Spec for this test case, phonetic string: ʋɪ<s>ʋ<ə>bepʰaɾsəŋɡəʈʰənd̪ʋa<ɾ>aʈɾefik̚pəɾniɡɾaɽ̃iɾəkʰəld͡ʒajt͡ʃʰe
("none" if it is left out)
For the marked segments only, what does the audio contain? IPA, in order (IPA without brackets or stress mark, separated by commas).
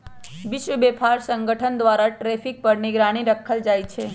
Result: ʃ, ə, ɾ